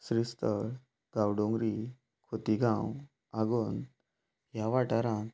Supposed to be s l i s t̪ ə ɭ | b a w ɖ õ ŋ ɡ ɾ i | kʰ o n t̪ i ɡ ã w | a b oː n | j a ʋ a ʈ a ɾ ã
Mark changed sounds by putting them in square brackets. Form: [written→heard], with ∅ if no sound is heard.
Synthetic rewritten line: s [l→ɾ] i s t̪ ə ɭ | [b→ɡ] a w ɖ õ ŋ ɡ ɾ i | kʰ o [n→∅] t̪ i ɡ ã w | a [b→ɡ] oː n | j a ʋ a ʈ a ɾ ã